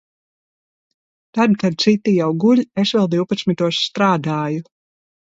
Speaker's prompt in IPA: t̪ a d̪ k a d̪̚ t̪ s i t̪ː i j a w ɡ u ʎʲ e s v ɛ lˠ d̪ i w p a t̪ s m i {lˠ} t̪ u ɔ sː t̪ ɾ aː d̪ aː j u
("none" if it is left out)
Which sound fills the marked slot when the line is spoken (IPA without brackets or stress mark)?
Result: none